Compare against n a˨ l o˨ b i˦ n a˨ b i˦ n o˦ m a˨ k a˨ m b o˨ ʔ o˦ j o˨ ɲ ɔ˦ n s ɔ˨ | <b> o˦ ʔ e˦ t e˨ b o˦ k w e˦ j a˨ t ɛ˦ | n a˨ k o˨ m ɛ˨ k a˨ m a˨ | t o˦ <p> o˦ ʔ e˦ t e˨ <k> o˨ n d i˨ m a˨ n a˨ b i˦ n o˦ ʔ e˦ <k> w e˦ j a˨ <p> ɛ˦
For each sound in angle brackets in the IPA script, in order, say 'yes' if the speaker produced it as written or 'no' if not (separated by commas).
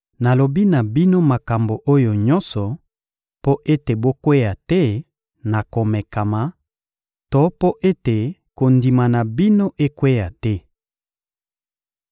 no, yes, yes, yes, no